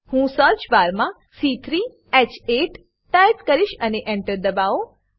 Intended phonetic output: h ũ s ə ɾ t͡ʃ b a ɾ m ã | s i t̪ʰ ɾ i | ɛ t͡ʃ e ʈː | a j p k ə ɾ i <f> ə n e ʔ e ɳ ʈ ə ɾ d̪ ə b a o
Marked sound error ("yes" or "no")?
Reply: yes